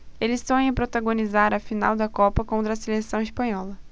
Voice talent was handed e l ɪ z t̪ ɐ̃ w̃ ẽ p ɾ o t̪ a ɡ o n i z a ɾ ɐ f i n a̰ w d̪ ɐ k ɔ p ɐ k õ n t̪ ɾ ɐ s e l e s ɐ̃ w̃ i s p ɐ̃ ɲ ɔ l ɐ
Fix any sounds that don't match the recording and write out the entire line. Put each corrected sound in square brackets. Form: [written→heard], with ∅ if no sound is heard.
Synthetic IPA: e l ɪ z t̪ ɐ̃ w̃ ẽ p ɾ o t̪ a ɡ o n i z a ɾ ɐ f i n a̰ w d̪ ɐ k ɔ p ɐ k õ n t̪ ɾ ɐ s e l e s ɐ̃ w̃ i s p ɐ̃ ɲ ɔ l ɐ

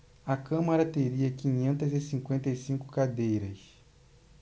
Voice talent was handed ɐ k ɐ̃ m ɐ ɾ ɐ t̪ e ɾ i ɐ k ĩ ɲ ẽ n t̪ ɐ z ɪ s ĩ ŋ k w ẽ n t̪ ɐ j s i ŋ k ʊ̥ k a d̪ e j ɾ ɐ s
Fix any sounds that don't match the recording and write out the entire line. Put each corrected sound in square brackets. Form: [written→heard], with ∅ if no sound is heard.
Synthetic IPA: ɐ k ɐ̃ m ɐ ɾ ɐ t̪ e ɾ i ɐ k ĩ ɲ ẽ n t̪ ɐ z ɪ s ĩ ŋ k w ẽ n t̪ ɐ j s [i→ĩ] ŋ k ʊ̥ k a d̪ e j ɾ ɐ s

